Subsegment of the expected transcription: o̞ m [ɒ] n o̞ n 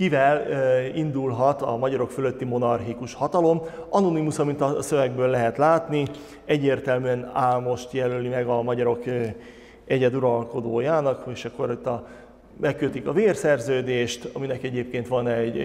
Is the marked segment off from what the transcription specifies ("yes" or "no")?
no